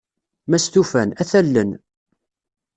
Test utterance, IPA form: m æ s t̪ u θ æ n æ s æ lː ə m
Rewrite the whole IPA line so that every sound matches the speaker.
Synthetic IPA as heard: m æ s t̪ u f æ n æ θ æ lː ə n